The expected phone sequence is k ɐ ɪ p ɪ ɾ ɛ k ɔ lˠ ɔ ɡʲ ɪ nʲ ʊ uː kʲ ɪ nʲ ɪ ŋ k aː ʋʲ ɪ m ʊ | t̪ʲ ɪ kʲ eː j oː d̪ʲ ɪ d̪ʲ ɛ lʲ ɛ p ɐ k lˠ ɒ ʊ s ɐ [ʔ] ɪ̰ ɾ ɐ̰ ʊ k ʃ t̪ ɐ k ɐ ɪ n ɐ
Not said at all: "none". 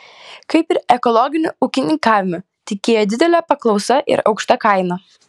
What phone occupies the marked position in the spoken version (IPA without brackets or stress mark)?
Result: ʔ